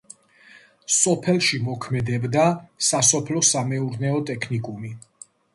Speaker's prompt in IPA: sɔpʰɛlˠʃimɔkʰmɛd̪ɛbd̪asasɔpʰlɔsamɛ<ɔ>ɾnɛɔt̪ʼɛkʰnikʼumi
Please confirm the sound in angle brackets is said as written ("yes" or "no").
no